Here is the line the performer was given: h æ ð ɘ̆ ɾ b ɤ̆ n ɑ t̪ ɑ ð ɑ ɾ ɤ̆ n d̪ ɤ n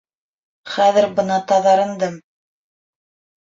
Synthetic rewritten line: χ æ ð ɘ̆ ɾ b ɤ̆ n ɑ t̪ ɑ ð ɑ ɾ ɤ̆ n d̪ ɤ m